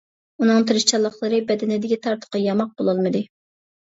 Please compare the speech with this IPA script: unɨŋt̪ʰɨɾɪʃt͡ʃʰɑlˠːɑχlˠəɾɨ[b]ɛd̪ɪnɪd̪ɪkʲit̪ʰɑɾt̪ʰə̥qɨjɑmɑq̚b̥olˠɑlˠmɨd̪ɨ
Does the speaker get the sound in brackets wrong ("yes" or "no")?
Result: no